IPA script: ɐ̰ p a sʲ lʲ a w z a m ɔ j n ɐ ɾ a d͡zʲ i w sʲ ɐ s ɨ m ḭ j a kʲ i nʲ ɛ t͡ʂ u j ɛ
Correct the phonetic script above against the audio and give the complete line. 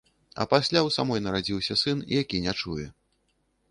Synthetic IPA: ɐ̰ p a sʲ lʲ a w s a m ɔ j n ɐ ɾ a d͡zʲ i w sʲ ɐ s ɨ n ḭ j a kʲ i nʲ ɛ t͡ʂ u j ɛ